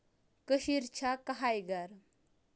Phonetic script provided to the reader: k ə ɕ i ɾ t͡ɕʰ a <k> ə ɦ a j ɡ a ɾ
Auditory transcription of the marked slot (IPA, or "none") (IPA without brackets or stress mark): k